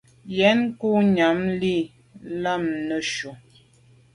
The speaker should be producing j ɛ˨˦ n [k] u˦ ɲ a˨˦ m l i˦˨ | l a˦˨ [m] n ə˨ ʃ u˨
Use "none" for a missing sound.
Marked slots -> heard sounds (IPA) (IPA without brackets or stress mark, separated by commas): k, m